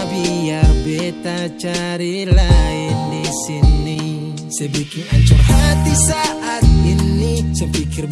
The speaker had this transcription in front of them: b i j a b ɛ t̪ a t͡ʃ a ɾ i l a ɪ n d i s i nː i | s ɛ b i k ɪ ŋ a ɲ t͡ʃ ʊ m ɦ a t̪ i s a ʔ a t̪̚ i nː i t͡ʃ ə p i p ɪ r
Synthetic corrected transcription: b i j a b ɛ t̪ a t͡ʃ a ɾ i l a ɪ n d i s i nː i | s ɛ b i k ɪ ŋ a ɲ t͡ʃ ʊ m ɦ a t̪ i s a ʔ a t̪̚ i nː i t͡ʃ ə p i k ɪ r